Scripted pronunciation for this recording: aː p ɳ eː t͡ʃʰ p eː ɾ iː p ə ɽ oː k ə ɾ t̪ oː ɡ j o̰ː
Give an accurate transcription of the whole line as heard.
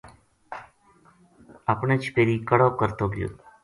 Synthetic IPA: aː p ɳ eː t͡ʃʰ p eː ɾ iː k ə ɽ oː k ə ɾ t̪ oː ɡ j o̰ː